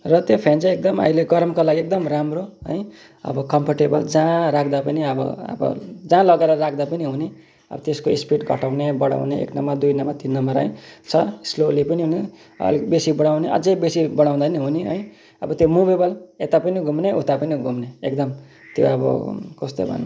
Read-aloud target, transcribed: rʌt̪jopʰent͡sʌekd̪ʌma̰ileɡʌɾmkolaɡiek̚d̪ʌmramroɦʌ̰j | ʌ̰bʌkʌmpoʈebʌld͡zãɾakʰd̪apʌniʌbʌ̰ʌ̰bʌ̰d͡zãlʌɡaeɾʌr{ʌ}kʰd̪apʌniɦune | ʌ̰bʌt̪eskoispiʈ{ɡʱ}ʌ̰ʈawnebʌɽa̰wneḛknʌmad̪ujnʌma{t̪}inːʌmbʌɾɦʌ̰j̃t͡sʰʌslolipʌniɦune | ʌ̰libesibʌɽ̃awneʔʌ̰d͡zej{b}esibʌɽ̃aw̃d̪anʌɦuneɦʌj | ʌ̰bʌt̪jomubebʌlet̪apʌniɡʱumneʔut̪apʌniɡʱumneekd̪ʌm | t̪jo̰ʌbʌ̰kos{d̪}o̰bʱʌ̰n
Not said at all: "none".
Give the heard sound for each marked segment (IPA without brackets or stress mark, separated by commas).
a, ɡʱ, t̪, b, t̪